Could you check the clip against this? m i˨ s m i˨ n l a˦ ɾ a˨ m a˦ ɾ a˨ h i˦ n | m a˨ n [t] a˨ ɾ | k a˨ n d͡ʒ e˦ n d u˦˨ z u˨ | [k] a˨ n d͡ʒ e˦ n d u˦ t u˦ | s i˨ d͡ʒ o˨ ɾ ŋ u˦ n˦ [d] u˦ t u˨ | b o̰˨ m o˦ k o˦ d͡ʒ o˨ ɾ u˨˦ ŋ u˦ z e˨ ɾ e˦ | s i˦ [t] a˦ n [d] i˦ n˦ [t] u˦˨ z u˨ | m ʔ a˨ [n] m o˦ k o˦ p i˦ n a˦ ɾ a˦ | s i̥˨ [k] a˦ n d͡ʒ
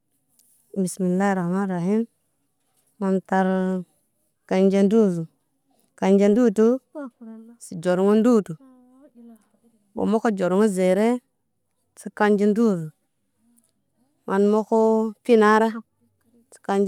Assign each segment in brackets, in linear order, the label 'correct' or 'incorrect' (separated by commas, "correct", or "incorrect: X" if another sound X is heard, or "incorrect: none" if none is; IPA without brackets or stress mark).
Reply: correct, correct, correct, incorrect: k, incorrect: d͡ʒ, incorrect: d, correct, correct